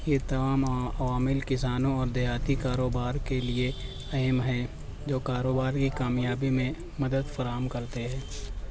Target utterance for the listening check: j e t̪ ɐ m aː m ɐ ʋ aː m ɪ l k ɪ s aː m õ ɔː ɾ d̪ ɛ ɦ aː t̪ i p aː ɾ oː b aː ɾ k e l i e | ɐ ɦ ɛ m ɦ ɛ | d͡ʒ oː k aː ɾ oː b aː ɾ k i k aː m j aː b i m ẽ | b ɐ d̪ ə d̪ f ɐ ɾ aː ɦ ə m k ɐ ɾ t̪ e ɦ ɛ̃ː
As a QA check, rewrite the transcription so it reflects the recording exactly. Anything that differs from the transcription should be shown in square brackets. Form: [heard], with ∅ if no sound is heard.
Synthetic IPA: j e t̪ ɐ m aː m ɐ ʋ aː m ɪ l k ɪ s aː [n] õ ɔː ɾ d̪ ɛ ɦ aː t̪ i [k] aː ɾ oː b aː ɾ k e l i e | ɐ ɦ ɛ m ɦ ɛ | d͡ʒ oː k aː ɾ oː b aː ɾ k i k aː m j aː b i m ẽ | [m] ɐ d̪ ə d̪ f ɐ ɾ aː ɦ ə m k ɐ ɾ t̪ e ɦ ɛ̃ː